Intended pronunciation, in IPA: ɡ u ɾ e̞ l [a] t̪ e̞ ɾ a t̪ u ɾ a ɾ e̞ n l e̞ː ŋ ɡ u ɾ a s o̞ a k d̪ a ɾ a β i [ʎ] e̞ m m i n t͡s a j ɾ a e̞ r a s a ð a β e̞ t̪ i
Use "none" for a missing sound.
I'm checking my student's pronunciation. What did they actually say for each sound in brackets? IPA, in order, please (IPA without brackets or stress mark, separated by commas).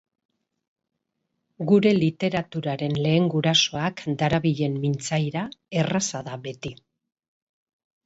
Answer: i, ʎ